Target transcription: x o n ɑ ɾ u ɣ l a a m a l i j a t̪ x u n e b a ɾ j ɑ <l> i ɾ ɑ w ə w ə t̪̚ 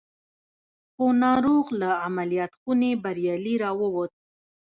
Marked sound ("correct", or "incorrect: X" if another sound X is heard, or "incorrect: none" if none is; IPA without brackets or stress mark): correct